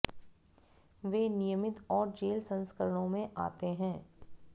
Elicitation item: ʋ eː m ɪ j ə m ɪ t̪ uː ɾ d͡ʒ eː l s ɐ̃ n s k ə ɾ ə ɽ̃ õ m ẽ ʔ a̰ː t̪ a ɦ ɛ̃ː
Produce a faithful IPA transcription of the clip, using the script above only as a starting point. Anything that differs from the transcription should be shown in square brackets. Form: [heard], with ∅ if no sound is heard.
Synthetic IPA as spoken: ʋ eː [n] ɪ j ə m ɪ t̪ [ɔː] ɾ d͡ʒ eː l s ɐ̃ n s k ə ɾ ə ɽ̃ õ m ẽ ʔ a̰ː t̪ [e] ɦ ɛ̃ː